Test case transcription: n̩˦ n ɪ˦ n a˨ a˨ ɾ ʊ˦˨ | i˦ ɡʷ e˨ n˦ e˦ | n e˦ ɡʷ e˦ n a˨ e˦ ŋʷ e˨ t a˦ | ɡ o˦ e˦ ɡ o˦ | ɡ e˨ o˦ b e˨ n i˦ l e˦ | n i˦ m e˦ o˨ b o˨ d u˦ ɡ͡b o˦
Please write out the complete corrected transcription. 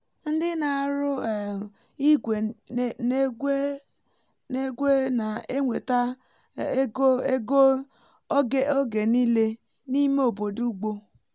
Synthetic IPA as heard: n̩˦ d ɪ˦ n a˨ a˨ ɾ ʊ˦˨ | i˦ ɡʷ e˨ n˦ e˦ | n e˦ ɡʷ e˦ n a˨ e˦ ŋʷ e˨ t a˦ | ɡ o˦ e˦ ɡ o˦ | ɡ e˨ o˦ ɡ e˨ n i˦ l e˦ | n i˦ m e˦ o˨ b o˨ d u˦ ɡ͡b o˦